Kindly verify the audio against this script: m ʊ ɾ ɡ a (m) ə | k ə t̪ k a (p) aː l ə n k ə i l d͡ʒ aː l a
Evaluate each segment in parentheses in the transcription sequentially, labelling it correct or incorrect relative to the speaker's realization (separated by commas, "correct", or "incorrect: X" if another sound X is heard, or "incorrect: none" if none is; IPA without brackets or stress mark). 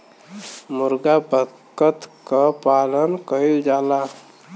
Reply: incorrect: b, correct